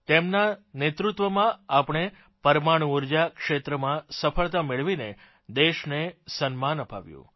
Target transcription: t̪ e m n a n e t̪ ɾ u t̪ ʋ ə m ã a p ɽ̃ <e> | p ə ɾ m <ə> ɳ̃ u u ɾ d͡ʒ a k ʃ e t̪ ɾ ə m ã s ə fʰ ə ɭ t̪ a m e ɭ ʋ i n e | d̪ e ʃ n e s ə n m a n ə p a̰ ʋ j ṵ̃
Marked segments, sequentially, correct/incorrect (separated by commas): correct, incorrect